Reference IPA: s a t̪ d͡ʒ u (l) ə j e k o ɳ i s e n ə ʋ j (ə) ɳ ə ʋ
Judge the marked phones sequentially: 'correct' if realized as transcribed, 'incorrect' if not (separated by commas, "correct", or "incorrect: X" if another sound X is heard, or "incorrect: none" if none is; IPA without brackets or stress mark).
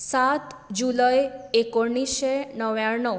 correct, incorrect: a